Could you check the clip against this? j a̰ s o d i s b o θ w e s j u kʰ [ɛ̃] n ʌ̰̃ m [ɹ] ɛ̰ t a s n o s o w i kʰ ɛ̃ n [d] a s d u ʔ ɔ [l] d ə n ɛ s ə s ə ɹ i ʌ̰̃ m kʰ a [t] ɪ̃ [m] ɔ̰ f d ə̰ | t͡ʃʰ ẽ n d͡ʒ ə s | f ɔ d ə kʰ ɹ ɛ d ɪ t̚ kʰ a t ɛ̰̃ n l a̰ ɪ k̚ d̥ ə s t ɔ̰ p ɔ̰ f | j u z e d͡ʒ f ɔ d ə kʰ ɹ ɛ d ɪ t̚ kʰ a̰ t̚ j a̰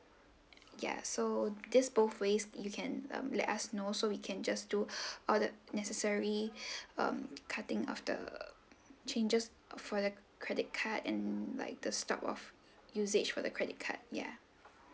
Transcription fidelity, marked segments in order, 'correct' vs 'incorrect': correct, incorrect: l, incorrect: d͡ʒ, correct, correct, incorrect: ŋ

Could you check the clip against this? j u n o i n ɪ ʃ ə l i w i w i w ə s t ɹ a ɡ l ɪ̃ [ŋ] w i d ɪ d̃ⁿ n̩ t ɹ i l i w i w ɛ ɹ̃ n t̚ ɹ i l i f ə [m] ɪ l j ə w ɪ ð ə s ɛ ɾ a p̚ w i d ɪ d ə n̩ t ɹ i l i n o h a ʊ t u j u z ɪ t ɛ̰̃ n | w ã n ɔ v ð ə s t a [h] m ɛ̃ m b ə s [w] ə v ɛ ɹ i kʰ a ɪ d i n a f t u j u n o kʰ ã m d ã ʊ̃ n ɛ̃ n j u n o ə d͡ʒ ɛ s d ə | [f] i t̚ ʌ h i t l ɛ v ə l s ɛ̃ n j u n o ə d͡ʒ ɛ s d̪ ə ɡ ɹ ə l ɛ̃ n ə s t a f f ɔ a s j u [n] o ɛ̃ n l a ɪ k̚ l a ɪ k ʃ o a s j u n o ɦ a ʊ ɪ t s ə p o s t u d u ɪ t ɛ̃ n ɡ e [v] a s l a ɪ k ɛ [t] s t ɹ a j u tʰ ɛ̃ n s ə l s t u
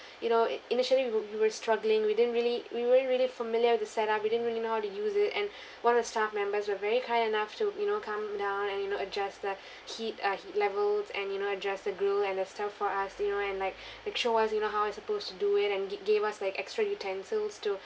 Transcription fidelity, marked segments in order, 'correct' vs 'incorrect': correct, correct, incorrect: f, correct, incorrect: h, correct, correct, incorrect: k

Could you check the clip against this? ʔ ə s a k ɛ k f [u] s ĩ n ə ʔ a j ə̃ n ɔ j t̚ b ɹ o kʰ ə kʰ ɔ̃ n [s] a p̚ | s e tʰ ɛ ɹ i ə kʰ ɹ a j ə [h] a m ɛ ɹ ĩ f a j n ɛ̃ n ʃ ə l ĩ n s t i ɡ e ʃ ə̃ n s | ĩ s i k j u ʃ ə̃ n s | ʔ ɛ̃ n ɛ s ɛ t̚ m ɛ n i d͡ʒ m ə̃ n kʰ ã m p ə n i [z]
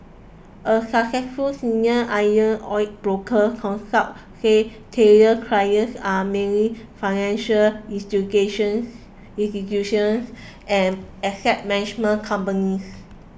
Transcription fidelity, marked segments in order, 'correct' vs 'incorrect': correct, correct, incorrect: s, incorrect: s

